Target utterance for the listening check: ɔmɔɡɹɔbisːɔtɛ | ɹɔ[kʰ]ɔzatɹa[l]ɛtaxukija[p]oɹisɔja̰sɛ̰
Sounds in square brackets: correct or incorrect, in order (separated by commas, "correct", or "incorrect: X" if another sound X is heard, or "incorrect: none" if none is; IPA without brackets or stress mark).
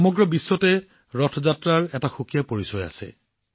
incorrect: tʰ, incorrect: ɹ, correct